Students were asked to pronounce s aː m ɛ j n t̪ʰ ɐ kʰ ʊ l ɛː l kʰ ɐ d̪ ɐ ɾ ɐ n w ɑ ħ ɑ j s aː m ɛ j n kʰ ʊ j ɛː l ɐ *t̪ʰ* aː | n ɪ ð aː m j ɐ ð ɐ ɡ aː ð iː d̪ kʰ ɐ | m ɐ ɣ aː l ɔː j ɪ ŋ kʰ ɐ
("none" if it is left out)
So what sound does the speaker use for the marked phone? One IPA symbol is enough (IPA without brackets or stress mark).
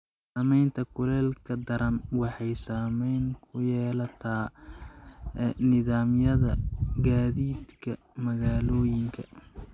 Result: t̪ʰ